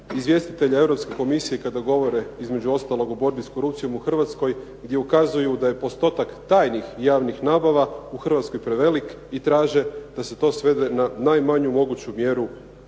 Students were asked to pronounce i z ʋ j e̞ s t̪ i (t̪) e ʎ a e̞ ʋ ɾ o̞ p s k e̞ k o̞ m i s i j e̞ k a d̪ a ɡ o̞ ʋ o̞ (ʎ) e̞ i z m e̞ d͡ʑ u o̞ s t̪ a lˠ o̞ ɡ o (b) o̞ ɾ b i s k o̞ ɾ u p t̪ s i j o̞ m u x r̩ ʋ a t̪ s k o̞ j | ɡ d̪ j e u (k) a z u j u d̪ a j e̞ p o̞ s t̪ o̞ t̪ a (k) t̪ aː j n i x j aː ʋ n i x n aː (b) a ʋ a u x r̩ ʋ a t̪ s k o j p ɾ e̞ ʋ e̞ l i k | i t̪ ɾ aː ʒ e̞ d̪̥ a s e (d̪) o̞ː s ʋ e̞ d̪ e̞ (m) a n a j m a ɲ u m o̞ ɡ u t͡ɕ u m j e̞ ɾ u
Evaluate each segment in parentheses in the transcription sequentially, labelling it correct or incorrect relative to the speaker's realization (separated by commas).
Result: correct, incorrect, correct, correct, correct, correct, incorrect, incorrect